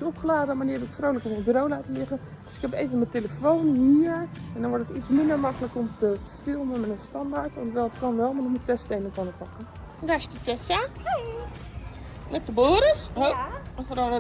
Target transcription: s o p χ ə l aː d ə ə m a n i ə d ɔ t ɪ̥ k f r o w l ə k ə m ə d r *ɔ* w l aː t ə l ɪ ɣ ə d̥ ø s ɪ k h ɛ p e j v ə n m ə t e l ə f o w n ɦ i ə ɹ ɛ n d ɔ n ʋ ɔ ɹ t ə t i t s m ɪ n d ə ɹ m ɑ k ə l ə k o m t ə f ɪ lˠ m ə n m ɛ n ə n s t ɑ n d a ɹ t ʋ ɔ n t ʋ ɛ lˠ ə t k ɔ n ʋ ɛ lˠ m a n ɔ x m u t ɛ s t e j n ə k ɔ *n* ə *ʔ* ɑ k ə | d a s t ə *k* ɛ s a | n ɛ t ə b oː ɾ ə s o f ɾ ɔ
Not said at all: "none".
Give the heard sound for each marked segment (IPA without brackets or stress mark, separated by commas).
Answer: o, n, p, t